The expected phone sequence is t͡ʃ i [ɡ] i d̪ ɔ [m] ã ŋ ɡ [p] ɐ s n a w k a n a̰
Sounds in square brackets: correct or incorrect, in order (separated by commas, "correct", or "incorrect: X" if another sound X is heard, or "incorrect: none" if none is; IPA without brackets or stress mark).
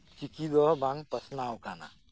incorrect: k, incorrect: b, correct